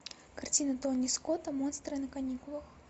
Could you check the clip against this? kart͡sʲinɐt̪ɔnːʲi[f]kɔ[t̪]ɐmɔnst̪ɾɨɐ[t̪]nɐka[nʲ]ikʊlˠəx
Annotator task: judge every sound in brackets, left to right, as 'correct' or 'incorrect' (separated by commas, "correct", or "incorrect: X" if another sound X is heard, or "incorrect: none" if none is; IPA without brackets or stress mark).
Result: incorrect: s, correct, incorrect: none, correct